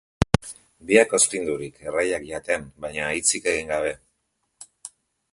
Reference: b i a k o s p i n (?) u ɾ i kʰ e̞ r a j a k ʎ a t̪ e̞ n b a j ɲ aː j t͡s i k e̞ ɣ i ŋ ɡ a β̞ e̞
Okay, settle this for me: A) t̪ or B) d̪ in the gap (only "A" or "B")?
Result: B